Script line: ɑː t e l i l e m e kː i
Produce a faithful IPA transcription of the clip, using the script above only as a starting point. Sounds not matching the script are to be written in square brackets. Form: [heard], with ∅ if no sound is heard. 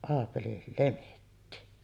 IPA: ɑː [p] e l i l e m e [tː] i